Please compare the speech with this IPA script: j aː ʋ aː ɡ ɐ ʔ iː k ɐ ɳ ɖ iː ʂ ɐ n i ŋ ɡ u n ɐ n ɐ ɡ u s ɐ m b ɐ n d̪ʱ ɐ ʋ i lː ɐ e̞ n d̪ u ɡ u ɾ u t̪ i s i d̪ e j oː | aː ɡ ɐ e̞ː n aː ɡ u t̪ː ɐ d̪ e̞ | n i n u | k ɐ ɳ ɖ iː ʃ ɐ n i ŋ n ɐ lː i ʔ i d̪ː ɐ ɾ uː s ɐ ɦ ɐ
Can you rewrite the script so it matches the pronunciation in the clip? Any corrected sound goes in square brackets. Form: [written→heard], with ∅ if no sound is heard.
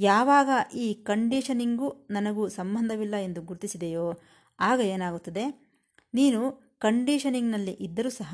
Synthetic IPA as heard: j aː ʋ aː ɡ ɐ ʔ iː k ɐ ɳ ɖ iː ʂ ɐ n i ŋ ɡ u n ɐ n ɐ ɡ u s ɐ m b ɐ n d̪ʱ ɐ ʋ i lː ɐ e̞ n d̪ u ɡ u ɾ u t̪ i s i d̪ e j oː | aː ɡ ɐ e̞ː n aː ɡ u t̪ː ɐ d̪ e̞ | n [i→iː] n u | k ɐ ɳ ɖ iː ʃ ɐ n i ŋ n ɐ lː i ʔ i d̪ː ɐ ɾ uː s ɐ ɦ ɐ